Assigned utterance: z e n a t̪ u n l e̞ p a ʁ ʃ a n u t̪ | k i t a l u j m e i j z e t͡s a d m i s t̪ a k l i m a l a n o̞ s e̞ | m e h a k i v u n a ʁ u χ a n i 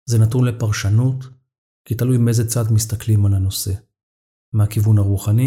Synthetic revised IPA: z e n a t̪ u n l e̞ p a ʁ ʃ a n u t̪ | k i t a l u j m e e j z e t͡s a d m i s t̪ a k l i m a l a n o̞ s e̞ | m e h a k i v u n a ʁ u χ a n i